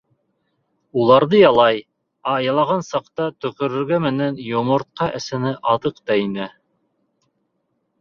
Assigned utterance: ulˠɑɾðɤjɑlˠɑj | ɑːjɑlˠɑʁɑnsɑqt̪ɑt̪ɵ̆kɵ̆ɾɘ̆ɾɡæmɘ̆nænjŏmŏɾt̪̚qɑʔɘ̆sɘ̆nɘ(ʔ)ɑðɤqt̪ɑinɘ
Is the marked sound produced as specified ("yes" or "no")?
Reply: yes